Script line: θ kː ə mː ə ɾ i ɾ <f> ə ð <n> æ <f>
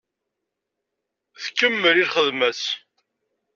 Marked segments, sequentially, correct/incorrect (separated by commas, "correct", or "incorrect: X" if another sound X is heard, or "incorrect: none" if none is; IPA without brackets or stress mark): incorrect: χ, incorrect: m, incorrect: s